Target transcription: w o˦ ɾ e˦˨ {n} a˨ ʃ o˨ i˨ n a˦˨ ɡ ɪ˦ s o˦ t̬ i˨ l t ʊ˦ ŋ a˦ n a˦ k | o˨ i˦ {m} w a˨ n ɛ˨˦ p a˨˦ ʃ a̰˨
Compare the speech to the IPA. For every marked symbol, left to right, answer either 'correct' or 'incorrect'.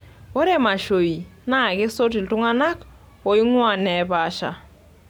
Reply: incorrect, incorrect

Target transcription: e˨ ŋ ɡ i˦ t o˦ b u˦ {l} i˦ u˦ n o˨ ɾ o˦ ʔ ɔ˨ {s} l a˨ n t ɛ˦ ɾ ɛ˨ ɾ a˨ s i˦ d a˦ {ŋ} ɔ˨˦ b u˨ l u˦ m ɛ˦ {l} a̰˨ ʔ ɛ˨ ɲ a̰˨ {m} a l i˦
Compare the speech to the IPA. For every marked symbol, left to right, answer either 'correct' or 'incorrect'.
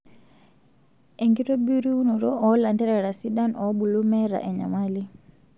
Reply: incorrect, incorrect, incorrect, incorrect, correct

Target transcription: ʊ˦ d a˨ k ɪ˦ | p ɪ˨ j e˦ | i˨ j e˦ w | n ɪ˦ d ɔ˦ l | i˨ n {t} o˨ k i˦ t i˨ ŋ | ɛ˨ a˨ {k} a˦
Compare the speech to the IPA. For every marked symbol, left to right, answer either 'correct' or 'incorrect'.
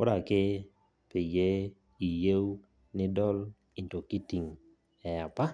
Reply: correct, incorrect

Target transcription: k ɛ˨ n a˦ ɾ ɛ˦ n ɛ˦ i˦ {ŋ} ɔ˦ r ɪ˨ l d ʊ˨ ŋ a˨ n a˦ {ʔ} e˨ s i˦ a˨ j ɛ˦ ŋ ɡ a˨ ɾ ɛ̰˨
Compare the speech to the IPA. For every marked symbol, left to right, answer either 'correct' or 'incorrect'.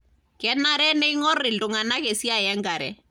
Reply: correct, incorrect

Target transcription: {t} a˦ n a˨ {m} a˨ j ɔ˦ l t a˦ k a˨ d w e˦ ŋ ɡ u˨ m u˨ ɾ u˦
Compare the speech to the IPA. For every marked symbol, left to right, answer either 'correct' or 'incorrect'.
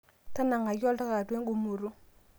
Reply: correct, incorrect

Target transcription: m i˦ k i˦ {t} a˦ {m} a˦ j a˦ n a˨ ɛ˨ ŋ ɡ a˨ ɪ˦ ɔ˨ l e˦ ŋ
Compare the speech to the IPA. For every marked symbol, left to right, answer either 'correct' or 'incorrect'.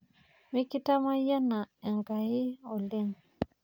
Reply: correct, correct

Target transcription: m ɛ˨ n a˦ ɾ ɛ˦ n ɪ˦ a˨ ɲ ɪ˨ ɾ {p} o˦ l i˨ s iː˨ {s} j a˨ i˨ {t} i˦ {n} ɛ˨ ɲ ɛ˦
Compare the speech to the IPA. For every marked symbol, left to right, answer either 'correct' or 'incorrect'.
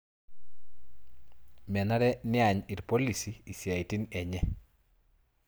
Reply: correct, correct, correct, correct

